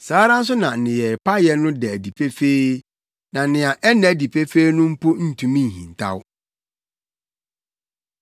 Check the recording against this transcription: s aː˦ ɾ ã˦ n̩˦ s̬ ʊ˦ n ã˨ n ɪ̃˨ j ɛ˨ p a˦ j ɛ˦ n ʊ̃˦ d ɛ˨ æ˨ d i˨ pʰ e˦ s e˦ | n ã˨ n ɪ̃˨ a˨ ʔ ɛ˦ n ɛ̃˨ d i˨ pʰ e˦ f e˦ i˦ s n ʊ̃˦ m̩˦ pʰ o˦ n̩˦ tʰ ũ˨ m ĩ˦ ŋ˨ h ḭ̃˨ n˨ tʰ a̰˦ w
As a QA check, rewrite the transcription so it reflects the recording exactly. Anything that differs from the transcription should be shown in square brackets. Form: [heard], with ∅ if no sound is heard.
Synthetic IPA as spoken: s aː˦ ɾ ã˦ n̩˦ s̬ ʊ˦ n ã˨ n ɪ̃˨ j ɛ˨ p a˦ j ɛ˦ n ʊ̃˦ d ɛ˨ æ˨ d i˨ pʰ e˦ [f] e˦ | n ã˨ n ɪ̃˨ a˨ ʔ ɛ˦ n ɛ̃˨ d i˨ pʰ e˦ f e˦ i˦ [∅] n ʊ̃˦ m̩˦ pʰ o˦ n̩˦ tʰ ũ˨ m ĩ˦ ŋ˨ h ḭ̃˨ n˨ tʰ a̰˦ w

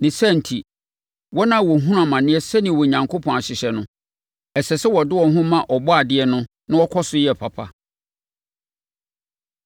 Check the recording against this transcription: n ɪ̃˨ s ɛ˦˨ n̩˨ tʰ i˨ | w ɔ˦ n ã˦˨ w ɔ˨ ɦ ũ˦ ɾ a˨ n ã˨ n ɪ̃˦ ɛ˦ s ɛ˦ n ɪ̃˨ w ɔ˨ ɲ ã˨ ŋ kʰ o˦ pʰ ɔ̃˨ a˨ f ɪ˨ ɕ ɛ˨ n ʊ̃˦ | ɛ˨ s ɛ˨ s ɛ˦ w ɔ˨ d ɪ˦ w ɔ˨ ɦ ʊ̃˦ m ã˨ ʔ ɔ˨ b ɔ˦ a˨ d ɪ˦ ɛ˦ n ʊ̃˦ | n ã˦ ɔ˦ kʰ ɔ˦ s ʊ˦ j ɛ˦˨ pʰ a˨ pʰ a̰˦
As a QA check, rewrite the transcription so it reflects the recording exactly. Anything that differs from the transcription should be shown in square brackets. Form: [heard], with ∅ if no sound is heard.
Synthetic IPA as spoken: n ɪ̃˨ s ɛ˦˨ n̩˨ tʰ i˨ | w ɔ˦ n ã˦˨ w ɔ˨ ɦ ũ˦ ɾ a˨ [m] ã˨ n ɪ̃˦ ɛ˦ s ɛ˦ n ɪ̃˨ w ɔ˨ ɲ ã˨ ŋ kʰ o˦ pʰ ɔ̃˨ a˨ [ɕ] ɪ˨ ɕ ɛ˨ n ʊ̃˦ | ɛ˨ s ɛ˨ s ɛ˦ w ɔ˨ d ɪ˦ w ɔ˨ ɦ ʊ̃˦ m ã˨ ʔ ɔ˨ b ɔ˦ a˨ d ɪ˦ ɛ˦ n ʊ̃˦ | n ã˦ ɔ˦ kʰ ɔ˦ s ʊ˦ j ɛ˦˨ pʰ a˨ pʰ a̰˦

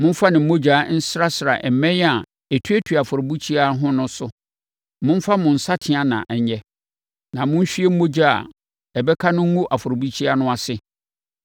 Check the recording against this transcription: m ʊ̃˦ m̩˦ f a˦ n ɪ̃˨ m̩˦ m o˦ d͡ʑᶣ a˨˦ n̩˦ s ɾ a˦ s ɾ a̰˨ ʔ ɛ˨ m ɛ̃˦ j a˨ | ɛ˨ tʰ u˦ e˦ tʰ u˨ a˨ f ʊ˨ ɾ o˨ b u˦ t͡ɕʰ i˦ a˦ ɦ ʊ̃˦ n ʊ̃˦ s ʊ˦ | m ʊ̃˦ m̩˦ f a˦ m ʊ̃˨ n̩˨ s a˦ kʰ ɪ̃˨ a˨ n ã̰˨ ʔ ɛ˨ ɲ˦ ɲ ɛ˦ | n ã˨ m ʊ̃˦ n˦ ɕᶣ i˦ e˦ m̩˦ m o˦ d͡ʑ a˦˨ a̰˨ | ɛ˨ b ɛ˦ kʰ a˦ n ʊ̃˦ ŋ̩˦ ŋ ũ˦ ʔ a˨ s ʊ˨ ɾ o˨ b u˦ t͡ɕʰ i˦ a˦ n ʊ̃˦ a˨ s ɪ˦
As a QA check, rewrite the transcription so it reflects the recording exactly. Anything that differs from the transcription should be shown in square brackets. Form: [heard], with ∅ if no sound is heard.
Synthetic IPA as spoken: m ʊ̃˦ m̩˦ f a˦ n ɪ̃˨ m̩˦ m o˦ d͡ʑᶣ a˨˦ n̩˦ s ɾ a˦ s ɾ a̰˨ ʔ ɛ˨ m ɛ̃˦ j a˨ | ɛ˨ tʰ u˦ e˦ tʰ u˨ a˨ f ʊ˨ ɾ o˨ b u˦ t͡ɕʰ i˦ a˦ ɦ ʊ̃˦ n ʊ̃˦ s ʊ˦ | m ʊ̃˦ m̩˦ f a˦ m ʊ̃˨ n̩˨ s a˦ [tʰ] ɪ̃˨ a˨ n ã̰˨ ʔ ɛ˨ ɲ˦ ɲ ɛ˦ | n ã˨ m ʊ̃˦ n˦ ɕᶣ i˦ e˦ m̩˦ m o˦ d͡ʑ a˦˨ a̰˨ | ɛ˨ b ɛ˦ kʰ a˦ n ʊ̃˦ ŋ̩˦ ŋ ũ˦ ʔ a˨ [f] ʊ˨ ɾ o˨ b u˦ t͡ɕʰ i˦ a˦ n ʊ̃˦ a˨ s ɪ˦

